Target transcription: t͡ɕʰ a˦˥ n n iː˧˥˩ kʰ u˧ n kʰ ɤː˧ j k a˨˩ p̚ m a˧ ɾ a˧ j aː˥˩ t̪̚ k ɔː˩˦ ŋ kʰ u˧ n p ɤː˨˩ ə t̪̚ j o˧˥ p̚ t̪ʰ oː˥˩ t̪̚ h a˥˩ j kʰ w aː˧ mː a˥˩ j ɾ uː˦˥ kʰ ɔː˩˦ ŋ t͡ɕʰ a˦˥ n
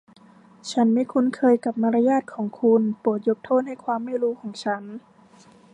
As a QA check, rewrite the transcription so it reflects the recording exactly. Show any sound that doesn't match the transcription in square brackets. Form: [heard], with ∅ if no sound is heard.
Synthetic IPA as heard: t͡ɕʰ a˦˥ n [m] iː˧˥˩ kʰ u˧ n kʰ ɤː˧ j k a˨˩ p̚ m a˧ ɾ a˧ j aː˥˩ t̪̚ [kʰ] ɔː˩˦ ŋ kʰ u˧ n p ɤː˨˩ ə t̪̚ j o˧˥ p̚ t̪ʰ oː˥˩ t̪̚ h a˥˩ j kʰ w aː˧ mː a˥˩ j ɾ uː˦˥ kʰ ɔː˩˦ ŋ t͡ɕʰ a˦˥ n